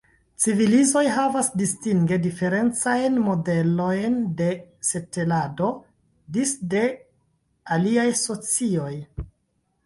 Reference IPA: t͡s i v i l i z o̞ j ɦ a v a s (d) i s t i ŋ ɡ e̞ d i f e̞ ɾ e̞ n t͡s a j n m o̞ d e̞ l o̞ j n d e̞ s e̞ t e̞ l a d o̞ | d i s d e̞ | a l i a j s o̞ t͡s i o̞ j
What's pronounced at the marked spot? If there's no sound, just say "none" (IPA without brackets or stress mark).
d